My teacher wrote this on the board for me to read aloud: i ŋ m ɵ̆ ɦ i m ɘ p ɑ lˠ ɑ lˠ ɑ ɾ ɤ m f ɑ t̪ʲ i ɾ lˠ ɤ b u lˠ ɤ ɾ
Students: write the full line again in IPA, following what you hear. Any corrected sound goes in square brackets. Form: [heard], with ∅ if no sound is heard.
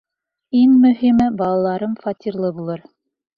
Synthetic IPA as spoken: i ŋ m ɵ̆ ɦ i m ɘ [b] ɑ lˠ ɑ lˠ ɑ ɾ ɤ m f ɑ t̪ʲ i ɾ lˠ ɤ b u lˠ ɤ ɾ